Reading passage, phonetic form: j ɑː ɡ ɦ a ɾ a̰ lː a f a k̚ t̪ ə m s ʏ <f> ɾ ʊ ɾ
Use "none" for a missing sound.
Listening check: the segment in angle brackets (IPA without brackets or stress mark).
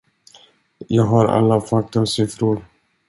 f